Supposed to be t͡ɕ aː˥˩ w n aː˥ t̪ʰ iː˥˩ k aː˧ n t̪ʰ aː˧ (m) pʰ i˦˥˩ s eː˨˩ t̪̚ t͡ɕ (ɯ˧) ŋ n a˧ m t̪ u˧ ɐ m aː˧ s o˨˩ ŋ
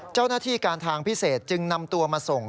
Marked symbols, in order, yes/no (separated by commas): no, yes